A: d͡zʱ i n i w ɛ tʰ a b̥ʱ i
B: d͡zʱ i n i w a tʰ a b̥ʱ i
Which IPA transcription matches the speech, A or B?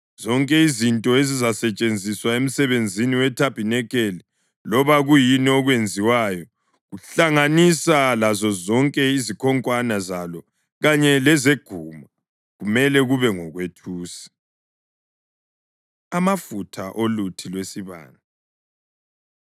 A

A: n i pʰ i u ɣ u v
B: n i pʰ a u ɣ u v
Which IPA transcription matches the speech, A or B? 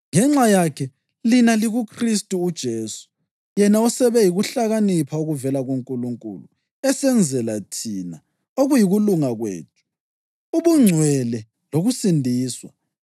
B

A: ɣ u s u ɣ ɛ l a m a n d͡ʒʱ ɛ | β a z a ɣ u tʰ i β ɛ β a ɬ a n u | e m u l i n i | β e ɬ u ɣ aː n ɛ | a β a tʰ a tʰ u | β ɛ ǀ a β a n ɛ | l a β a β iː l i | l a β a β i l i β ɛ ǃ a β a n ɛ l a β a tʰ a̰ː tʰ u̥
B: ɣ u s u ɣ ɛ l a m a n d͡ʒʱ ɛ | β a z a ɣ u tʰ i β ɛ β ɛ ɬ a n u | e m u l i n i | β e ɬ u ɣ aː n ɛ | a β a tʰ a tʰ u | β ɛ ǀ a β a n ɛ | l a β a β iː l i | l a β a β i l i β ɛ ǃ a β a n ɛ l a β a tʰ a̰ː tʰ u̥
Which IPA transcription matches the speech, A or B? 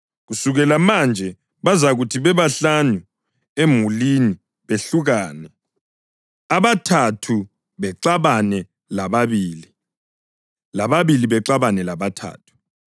A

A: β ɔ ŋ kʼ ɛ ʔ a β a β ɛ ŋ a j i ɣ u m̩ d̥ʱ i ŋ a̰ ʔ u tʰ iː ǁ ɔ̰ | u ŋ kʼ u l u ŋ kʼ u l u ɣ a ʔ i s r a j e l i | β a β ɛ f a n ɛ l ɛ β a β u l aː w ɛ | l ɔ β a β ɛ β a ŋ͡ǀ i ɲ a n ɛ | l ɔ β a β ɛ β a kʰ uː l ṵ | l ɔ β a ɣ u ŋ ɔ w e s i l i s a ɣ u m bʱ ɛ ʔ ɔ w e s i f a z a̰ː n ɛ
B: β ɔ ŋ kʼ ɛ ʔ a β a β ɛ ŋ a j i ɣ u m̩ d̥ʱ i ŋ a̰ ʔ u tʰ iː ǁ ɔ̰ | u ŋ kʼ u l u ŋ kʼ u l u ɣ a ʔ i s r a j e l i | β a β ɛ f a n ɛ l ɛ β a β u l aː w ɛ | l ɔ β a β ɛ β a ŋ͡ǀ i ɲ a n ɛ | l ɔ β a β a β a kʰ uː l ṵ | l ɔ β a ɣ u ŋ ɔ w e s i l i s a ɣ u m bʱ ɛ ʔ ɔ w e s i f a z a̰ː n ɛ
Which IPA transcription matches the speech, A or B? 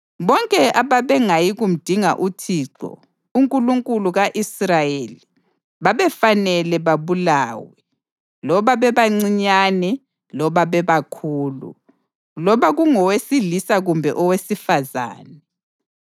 A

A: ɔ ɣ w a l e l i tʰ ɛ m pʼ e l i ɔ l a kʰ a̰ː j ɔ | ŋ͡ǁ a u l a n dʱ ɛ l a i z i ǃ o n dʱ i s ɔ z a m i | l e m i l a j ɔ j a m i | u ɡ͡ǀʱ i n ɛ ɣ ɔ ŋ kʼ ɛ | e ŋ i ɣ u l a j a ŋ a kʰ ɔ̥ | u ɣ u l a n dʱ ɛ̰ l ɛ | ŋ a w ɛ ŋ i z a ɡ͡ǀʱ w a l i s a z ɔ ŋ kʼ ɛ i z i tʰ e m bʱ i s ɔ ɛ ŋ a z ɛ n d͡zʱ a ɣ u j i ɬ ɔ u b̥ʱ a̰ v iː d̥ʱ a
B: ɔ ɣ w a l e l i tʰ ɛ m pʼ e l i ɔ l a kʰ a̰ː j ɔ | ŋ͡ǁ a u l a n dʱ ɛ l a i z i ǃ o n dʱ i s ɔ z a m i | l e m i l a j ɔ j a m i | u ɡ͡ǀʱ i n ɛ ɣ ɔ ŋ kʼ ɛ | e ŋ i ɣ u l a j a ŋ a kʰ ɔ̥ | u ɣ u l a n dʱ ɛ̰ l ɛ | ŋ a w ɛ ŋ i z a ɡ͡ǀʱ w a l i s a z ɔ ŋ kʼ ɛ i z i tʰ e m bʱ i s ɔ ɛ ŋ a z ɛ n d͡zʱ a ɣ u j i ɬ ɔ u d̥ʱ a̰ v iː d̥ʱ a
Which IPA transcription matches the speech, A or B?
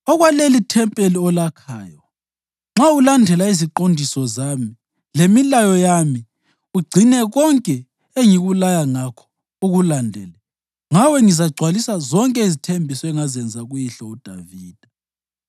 B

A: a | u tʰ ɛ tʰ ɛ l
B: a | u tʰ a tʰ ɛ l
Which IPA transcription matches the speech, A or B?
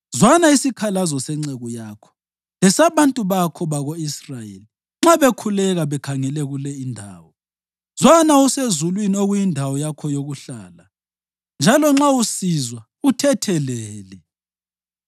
A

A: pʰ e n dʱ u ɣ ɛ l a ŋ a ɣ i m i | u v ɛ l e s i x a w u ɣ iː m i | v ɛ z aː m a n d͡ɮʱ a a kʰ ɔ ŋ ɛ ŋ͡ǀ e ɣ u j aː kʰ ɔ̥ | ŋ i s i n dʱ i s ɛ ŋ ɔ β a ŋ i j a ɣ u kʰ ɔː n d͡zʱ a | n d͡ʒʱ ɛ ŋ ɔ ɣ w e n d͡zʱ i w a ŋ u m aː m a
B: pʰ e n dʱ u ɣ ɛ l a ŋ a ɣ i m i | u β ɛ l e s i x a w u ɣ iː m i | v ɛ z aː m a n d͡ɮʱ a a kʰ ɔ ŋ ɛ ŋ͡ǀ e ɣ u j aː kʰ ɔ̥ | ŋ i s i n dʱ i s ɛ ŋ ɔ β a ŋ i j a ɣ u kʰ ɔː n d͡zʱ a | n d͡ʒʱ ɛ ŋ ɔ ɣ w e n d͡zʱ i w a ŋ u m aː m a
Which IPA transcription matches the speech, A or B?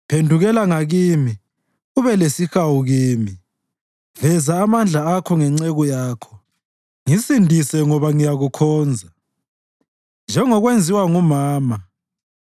B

